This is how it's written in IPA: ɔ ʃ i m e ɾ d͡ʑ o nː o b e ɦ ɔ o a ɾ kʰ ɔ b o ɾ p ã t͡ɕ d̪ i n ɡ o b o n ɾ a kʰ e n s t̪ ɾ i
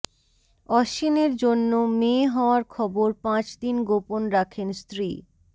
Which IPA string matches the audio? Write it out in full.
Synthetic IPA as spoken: ɔ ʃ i n e ɾ d͡ʑ o nː o m e ɦ ɔ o a ɾ kʰ ɔ b o ɾ p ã t͡ɕ d̪ i n ɡ o p o n ɾ a kʰ e n s t̪ ɾ i